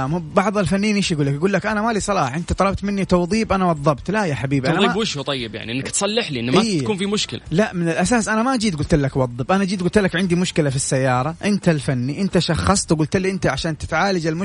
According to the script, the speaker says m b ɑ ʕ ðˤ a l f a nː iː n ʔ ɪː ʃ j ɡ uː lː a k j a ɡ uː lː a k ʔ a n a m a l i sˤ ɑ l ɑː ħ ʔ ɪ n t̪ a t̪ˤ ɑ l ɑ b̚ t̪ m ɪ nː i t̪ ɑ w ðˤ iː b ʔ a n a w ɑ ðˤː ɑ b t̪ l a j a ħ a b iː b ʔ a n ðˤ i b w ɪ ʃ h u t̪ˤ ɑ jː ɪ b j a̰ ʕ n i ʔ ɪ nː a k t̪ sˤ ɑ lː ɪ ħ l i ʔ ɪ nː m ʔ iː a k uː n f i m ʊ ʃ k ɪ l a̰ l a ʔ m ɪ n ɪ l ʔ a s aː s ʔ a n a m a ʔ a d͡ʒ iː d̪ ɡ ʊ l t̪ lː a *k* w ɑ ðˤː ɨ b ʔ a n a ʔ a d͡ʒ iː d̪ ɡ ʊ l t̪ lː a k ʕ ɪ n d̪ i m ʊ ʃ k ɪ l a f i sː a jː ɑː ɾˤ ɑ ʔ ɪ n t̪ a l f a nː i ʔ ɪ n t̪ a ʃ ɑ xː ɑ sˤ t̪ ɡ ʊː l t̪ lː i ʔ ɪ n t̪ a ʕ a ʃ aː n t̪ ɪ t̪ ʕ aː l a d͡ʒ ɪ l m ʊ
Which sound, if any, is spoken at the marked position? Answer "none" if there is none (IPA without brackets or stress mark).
k